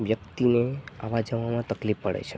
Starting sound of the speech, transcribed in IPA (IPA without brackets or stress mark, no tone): ʋ